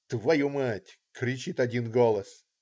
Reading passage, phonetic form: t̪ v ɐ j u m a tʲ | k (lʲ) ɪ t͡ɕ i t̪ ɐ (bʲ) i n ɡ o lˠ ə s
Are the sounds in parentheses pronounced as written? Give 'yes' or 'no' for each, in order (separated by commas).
no, no